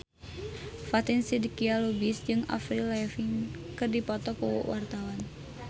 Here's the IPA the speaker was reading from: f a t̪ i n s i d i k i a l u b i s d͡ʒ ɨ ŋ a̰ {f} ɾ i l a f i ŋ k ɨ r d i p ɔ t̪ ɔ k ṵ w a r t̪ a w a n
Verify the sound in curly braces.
correct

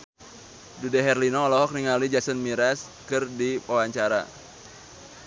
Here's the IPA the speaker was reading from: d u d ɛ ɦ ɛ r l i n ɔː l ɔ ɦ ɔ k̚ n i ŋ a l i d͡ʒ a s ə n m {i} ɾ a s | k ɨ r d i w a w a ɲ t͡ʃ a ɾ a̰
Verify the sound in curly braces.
correct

